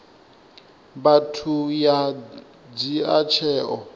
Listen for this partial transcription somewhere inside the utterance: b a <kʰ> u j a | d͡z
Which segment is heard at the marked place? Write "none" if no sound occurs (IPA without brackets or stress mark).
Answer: tʰ